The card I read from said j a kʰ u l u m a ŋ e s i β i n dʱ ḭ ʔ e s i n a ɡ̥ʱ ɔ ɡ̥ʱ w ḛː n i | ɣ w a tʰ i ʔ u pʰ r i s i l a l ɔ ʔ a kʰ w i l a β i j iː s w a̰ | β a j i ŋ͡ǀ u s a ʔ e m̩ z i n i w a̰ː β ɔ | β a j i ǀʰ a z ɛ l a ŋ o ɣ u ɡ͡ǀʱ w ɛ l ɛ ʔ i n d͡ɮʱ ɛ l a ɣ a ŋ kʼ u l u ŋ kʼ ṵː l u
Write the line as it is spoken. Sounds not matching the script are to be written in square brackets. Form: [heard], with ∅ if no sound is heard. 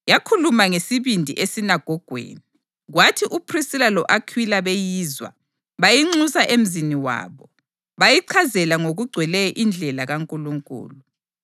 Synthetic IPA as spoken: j a kʰ u l u m a ŋ e s i β i n dʱ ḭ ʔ e s i n a ɡ̥ʱ ɔ ɡ̥ʱ w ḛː n i | ɣ w a tʰ i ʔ u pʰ r i s i l a l ɔ ʔ a kʰ w i l a β [e] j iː [z] w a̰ | β a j i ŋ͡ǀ u s a ʔ e m̩ z i n i w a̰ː β ɔ | β a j i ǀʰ a z ɛ l a ŋ o ɣ u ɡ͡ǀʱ w ɛ l ɛ ʔ i n d͡ɮʱ ɛ l a ɣ a ŋ kʼ u l u ŋ kʼ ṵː l u